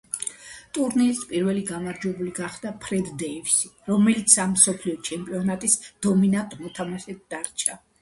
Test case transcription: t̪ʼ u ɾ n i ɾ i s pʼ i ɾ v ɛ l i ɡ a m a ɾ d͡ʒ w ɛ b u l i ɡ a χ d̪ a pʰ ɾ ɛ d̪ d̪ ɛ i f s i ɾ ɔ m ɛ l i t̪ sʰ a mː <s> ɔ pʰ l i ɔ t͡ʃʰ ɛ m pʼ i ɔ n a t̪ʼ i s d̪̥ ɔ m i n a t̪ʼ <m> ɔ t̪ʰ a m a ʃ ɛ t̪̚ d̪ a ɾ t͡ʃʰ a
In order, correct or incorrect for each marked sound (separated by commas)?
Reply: correct, correct